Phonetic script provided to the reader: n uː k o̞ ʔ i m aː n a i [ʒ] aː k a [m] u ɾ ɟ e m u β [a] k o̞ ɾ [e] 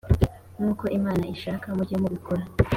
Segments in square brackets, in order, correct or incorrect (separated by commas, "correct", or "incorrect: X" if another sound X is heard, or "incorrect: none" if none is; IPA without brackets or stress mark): incorrect: ʃ, correct, incorrect: i, incorrect: a